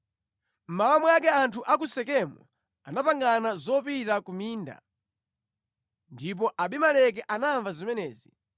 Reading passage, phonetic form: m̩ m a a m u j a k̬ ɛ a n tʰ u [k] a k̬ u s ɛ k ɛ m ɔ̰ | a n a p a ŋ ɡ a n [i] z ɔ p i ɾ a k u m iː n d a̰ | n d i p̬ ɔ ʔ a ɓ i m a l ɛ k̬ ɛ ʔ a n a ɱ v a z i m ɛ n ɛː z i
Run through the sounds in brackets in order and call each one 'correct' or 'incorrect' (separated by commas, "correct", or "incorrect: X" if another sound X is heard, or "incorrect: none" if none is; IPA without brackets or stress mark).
incorrect: ʔ, incorrect: a